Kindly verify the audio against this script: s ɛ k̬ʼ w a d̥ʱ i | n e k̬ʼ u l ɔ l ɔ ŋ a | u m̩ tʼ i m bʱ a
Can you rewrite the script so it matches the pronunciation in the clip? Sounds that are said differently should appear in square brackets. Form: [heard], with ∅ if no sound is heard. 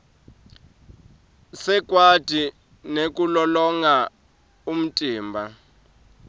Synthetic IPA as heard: s ɛ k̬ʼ w a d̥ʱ i | n e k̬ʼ u l ɔ l ɔ ŋ a | u m̩ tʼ [iː] m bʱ a